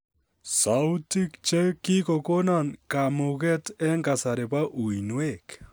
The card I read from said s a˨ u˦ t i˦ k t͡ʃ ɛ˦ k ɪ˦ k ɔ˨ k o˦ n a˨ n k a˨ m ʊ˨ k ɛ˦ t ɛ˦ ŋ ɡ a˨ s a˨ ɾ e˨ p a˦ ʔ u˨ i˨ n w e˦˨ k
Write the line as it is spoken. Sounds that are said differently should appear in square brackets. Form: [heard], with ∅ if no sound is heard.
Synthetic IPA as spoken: s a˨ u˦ t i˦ k t͡ʃ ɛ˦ k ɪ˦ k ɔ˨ k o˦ n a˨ n k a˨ m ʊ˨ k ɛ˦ t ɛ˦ ŋ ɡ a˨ s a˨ ɾ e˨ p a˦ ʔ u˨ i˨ n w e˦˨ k